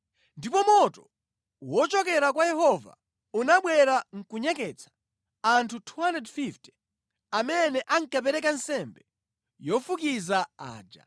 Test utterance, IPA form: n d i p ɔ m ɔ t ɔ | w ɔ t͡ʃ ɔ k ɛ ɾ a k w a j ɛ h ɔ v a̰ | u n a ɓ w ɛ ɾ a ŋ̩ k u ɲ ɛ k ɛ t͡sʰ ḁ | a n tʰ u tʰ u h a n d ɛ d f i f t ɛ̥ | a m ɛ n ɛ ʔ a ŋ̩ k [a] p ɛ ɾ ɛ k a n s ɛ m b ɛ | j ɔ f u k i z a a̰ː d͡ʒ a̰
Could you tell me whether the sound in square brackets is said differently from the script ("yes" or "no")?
no